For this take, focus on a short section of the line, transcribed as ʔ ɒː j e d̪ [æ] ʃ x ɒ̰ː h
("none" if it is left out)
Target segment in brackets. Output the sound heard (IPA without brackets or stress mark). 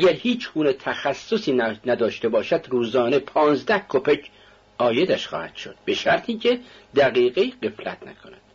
æ